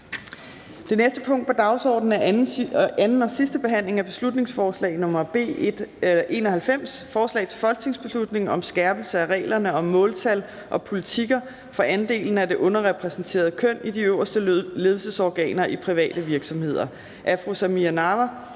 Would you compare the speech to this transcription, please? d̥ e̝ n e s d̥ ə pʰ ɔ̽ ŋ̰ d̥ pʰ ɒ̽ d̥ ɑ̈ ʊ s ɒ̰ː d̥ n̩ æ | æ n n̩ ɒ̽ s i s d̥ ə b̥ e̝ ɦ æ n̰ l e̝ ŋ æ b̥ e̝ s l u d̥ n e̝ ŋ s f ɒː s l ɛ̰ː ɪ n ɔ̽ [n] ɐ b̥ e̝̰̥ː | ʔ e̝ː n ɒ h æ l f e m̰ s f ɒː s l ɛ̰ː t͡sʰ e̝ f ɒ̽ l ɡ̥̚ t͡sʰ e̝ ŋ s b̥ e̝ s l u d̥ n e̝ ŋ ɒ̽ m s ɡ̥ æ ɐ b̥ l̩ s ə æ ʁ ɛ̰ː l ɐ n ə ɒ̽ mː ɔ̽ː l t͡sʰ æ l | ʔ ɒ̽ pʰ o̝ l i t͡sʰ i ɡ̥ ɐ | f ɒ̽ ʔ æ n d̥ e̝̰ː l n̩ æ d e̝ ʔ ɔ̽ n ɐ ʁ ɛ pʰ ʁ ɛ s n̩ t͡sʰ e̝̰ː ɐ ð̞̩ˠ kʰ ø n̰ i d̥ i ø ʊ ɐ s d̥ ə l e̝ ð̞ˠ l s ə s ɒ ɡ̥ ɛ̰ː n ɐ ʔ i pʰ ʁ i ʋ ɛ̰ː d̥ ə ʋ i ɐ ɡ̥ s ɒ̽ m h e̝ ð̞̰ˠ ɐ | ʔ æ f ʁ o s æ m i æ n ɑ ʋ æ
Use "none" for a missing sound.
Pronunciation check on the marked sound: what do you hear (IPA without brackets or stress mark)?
m